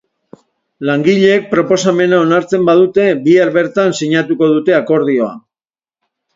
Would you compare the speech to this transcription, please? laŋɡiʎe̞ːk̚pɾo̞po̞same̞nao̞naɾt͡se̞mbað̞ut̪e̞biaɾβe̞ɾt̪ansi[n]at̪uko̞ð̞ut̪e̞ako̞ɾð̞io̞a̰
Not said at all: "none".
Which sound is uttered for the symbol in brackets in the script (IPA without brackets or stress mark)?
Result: ɲ